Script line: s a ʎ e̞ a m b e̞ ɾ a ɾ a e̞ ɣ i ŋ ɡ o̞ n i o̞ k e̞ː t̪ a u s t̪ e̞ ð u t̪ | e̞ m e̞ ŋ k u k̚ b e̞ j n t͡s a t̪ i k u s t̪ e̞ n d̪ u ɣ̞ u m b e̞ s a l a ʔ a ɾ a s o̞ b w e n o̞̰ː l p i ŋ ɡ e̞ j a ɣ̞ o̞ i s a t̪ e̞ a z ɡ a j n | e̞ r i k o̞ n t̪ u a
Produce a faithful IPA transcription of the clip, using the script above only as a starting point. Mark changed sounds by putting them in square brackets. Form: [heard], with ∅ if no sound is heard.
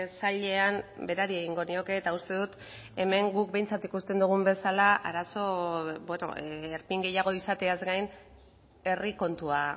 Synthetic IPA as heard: s a ʎ e̞ a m b e̞ ɾ a ɾ [i] e̞ ɣ i ŋ ɡ o̞ n i o̞ k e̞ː t̪ a u s t̪ e̞ ð u t̪ | e̞ m e̞ ŋ [ɡ] u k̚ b e̞ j n t͡s a t̪ i k u s t̪ e̞ n d̪ u ɣ̞ u m b e̞ s a l a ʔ a ɾ a s o̞ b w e n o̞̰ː [ɾ] p i ŋ ɡ e̞ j a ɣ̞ o̞ i s a t̪ e̞ a z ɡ a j n | e̞ r i k o̞ n t̪ u a

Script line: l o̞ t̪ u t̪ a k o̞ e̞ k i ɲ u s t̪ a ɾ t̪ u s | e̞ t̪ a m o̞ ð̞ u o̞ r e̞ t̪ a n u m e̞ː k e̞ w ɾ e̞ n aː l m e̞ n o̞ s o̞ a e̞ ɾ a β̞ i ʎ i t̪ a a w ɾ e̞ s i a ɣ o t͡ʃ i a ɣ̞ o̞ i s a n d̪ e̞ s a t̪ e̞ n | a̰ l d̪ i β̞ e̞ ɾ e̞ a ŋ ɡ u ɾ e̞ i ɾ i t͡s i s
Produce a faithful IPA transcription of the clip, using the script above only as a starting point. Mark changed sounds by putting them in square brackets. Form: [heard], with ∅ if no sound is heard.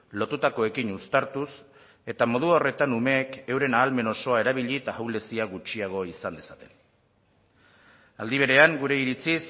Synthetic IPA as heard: l o̞ t̪ u t̪ a k o̞ e̞ k i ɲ u s t̪ a ɾ t̪ u s | e̞ t̪ a m o̞ ð̞ u o̞ r e̞ t̪ a n u m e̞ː k e̞ w ɾ e̞ n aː l m e̞ n o̞ s o̞ a e̞ ɾ a β̞ i ʎ i t̪ a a w [l] e̞ s i a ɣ [u] t͡ʃ i a ɣ̞ o̞ i s a n d̪ e̞ s a t̪ e̞ n | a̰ l d̪ i β̞ e̞ ɾ e̞ a ŋ ɡ u ɾ e̞ i ɾ i t͡s i s

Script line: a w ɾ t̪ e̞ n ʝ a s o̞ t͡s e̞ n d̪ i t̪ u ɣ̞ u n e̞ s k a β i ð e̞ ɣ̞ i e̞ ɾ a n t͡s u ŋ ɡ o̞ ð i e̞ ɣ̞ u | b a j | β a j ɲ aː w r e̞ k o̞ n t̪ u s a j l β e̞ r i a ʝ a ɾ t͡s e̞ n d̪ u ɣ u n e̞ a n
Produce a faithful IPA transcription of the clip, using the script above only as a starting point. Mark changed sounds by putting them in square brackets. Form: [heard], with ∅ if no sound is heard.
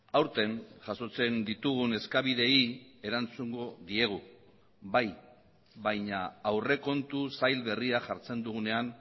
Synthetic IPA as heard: a w ɾ t̪ e̞ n ʝ a s o̞ t͡s e̞ n d̪ i t̪ u ɣ̞ u n e̞ s k a β i ð e̞ [∅] i e̞ ɾ a n t͡s u ŋ ɡ o̞ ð i e̞ ɣ̞ u | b a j | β a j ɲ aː w r e̞ k o̞ n t̪ u s a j l β e̞ r i a ʝ a ɾ t͡s e̞ n d̪ u ɣ u n e̞ a n

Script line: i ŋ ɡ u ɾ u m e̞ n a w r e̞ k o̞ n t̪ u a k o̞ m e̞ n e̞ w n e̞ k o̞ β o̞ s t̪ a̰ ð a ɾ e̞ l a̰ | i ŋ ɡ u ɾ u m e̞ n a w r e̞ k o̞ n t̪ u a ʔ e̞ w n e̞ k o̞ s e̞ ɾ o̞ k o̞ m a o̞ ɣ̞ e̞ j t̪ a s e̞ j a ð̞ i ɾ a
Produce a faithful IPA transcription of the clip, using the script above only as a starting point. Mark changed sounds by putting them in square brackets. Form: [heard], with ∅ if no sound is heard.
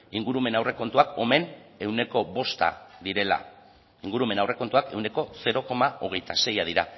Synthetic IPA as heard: i ŋ ɡ u ɾ u m e̞ n a w r e̞ k o̞ n t̪ u a k o̞ m e̞ n e̞ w n e̞ k o̞ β o̞ s t̪ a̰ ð [i] ɾ e̞ l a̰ | i ŋ ɡ u ɾ u m e̞ n a w r e̞ k o̞ n t̪ u a [k] e̞ w n e̞ k o̞ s e̞ ɾ o̞ k o̞ m a o̞ ɣ̞ e̞ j t̪ a s e̞ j a ð̞ i ɾ a

